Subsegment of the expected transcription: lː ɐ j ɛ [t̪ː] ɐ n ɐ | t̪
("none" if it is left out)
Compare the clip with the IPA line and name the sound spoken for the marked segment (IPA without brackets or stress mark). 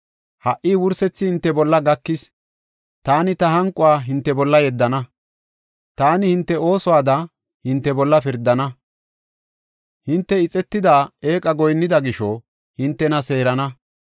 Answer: d̪ː